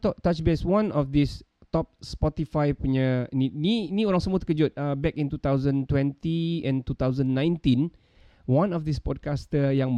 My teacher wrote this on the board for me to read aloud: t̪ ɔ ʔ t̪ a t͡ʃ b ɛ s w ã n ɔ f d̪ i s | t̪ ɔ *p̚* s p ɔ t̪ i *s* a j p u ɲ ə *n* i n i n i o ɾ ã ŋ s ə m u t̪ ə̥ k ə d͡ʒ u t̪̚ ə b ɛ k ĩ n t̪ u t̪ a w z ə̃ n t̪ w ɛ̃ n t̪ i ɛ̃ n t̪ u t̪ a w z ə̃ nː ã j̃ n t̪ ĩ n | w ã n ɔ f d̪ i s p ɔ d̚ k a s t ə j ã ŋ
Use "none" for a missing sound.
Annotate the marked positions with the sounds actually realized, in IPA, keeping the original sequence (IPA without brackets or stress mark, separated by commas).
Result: p̚, f, n